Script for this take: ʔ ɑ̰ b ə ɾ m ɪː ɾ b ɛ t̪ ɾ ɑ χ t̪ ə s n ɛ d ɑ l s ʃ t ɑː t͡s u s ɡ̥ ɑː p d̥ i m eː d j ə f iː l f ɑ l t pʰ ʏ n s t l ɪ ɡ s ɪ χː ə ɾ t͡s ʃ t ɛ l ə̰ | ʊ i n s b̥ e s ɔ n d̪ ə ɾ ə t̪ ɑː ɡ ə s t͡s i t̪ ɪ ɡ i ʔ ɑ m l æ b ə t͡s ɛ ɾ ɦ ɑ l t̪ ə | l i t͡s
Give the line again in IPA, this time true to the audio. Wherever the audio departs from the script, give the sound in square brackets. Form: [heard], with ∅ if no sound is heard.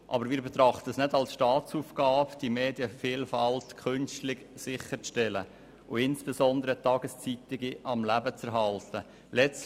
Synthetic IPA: ʔ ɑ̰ b ə ɾ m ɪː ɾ b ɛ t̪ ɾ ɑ χ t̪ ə s n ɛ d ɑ l s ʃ t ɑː t͡s u [f] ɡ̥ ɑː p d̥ i m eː d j ə f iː l f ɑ l t [kʰ] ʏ n s t l ɪ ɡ s ɪ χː ə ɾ t͡s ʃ t ɛ l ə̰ | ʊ [ɪ] n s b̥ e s ɔ n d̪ ə ɾ ə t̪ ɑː ɡ ə s t͡s i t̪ ɪ ɡ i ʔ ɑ m l æ b ə t͡s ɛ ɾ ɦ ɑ l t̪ ə | l [ɛ] t͡s